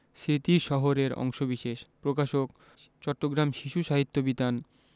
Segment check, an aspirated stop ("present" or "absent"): absent